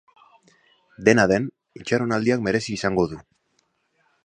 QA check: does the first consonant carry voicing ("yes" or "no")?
yes